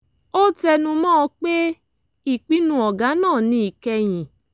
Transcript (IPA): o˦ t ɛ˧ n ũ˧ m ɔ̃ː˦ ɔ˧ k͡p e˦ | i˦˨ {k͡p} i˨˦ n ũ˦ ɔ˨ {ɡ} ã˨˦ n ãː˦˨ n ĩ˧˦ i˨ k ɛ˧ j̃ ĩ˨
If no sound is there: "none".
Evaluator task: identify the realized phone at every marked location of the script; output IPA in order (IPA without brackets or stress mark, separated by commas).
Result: k͡p, ɡ